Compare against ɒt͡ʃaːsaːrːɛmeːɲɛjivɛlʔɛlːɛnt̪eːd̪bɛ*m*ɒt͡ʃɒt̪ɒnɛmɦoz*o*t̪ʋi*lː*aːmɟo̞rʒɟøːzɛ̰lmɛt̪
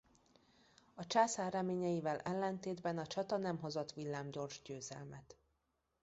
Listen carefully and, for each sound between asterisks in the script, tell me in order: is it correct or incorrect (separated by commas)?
incorrect, correct, correct